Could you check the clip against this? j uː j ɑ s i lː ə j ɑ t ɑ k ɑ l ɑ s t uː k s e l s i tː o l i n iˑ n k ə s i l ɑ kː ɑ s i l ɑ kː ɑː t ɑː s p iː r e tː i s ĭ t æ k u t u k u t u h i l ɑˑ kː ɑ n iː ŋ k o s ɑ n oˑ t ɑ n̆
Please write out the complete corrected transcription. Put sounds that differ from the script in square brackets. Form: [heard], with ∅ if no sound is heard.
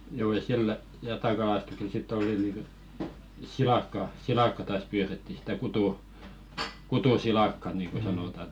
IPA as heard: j uː j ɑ s i lː ə j ɑ t ɑ k ɑ l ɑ s t [u] k s e l s i tː o l i n iˑ [ŋ] k ə s i l ɑ kː ɑ s i l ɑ kː [ɑ] t ɑː s p [yː] r e tː i s ĭ t æ k u t u k u t u [s] i l ɑˑ kː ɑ n iː ŋ k o s ɑ n oˑ t ɑ n̆